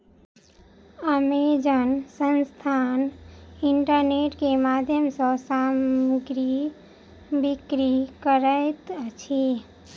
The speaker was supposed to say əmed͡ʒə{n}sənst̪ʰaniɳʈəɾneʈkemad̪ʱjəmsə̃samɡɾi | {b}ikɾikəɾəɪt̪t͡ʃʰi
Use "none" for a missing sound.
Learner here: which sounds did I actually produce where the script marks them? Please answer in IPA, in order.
n, b

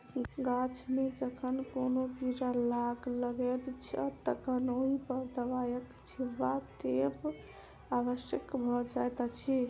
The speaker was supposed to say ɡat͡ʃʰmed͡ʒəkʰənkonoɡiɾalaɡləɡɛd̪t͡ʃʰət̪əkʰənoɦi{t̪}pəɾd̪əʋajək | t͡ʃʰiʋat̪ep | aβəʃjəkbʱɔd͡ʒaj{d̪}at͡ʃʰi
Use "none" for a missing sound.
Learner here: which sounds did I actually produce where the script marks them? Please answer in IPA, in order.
none, t̪

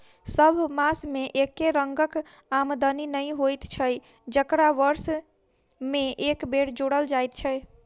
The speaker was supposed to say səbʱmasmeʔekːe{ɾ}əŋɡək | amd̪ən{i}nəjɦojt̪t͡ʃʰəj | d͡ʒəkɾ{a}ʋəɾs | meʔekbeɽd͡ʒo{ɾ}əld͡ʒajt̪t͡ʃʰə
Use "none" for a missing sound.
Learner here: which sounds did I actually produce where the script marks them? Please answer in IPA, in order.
ɾ, i, a, ɽ

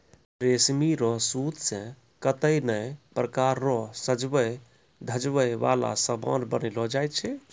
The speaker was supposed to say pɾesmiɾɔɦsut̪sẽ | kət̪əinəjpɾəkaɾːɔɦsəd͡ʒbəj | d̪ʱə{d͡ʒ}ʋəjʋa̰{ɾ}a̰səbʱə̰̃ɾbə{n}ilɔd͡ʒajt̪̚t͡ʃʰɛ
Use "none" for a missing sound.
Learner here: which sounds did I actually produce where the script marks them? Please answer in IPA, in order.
d͡ʒ, l, n

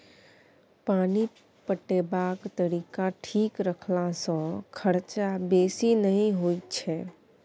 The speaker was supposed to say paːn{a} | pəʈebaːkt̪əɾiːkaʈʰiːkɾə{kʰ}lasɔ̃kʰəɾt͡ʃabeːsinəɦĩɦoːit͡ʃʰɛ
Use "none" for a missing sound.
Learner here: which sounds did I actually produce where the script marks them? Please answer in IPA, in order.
i, kʰ

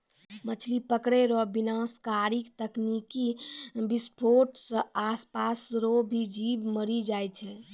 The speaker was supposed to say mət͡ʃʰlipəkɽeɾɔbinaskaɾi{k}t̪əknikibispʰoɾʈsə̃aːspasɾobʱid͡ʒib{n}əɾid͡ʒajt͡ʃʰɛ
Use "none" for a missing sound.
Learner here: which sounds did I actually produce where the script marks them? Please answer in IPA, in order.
k, m

